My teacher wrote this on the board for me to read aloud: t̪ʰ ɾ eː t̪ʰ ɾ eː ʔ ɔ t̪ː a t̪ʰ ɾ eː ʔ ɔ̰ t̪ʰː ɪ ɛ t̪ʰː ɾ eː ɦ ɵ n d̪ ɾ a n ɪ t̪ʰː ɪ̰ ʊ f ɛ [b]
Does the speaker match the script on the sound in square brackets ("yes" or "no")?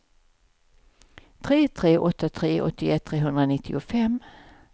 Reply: no